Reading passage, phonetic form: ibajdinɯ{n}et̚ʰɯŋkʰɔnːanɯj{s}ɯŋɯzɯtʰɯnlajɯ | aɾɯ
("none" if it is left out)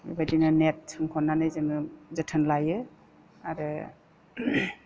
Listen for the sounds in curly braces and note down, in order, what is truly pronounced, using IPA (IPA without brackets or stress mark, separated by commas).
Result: n, z